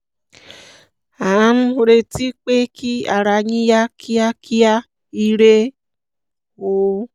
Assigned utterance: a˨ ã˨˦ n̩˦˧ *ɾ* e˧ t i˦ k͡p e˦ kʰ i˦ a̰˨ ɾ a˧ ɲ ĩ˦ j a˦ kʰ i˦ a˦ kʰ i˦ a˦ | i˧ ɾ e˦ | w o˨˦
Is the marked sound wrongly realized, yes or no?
no